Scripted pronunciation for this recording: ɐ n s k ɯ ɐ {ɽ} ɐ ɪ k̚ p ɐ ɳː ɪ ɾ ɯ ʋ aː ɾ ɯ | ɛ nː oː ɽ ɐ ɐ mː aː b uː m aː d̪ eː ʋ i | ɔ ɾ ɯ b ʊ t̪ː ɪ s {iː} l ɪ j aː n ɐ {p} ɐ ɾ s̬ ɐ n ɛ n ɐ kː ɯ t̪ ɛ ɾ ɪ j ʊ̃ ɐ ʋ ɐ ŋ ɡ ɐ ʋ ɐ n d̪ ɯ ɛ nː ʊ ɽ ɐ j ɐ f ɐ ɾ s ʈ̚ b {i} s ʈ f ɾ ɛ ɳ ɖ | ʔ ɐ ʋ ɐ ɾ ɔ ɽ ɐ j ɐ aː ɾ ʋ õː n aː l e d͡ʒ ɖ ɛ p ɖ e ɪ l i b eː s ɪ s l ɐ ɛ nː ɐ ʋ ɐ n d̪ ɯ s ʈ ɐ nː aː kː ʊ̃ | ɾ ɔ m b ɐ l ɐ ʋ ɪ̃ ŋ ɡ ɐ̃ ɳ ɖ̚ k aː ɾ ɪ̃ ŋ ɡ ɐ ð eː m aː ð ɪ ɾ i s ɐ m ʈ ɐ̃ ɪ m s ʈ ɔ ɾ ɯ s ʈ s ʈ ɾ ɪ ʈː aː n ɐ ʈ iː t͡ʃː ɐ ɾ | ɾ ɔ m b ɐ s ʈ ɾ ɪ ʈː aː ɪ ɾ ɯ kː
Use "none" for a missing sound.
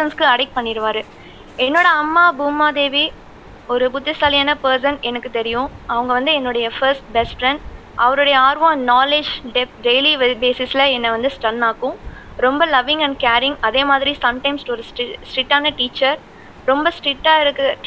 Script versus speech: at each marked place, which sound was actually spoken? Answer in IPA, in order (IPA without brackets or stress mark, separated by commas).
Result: ɽ, aː, p, ɛ